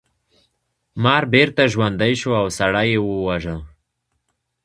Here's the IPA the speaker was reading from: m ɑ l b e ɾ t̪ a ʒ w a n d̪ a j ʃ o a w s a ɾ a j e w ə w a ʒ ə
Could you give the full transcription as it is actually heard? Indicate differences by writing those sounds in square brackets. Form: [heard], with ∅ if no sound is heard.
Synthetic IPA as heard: m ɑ [ɾ] b e ɾ t̪ a ʒ w a n d̪ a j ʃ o a w s a [ɽ] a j e w ə w a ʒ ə